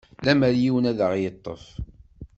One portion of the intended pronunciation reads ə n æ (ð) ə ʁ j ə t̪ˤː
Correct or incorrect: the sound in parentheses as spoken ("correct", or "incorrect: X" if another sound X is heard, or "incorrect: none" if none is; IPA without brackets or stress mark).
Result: correct